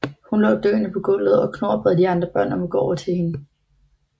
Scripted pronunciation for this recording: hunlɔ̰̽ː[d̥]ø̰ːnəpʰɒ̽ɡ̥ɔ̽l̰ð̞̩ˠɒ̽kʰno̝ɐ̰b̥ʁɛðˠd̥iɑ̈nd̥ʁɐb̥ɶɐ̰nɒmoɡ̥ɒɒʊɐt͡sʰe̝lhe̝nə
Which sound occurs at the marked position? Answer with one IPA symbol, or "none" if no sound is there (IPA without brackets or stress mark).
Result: d̥